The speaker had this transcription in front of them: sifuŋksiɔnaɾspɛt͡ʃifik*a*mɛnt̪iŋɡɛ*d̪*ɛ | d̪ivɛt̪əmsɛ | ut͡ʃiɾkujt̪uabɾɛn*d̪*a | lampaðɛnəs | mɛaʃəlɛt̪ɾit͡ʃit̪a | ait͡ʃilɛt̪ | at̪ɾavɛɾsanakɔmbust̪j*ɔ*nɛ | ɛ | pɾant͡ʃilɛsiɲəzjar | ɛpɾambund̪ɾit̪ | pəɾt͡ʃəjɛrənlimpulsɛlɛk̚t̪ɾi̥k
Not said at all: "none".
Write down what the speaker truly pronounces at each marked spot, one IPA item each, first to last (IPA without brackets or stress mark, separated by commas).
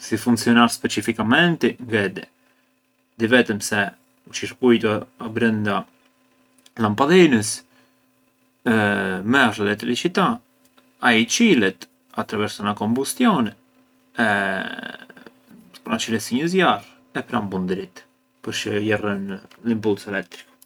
a, d̪, d̪, ɔ